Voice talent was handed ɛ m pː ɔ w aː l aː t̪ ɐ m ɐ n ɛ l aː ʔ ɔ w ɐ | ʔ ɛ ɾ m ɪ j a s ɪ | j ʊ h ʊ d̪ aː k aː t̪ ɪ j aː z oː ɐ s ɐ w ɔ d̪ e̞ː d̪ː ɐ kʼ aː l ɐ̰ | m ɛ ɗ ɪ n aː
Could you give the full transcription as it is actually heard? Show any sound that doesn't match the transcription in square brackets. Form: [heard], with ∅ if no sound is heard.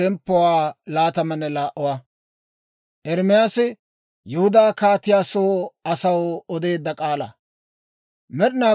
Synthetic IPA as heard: ɛ m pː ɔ w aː l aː t̪ ɐ m ɐ n ɛ l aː ʔ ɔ w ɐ | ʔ ɛ ɾ m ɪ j a s ɪ | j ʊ h ʊ d̪ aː k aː t̪ ɪ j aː [s] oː ɐ s ɐ w ɔ d̪ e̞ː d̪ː ɐ kʼ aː l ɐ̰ | m ɛ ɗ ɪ n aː